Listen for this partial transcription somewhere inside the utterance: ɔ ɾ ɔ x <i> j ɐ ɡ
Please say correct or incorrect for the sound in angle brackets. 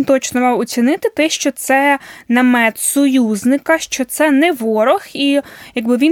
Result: correct